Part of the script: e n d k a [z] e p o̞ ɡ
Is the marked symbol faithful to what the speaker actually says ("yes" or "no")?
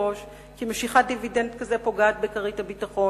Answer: yes